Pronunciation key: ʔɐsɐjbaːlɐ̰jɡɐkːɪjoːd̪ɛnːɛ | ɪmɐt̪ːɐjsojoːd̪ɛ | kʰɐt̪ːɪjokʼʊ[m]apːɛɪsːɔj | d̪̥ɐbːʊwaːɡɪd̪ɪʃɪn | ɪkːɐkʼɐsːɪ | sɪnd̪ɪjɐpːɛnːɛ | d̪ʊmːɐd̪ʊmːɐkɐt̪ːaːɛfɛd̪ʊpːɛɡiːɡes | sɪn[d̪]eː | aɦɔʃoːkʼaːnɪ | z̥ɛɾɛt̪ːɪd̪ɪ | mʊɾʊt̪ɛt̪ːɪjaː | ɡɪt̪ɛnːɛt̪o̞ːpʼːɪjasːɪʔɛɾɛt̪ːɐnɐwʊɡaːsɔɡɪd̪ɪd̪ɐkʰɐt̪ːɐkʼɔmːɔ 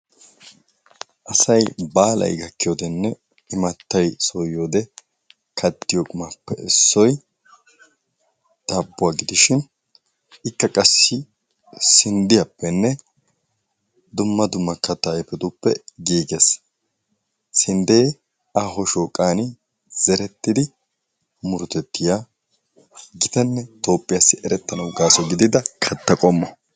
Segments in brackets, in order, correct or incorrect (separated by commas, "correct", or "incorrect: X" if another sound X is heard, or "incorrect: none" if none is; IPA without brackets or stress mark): correct, correct